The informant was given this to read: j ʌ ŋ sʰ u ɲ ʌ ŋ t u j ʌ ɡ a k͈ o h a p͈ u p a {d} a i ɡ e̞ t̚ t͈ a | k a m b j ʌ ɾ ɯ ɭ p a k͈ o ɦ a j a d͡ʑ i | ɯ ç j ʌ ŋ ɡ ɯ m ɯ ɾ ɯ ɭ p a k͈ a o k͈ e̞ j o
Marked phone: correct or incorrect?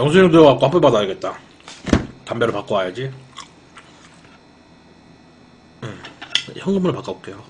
correct